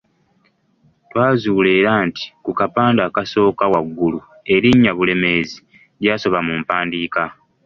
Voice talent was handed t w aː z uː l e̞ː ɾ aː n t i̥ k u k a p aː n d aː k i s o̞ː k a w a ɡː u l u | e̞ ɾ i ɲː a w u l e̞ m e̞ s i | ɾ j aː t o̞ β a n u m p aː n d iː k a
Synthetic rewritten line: t w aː z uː l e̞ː ɾ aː n t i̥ k u k a p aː n d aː k a s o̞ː k a w a ɡː u l u | e̞ ɾ i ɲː a β u l e̞ m e̞ z i | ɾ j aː s o̞ β a m u m p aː n d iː k a